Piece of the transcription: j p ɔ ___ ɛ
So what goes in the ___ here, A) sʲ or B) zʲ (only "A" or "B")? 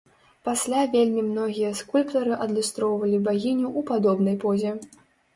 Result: B